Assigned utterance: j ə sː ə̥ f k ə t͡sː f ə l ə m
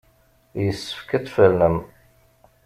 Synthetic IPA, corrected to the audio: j ə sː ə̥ f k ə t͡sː f ə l ə m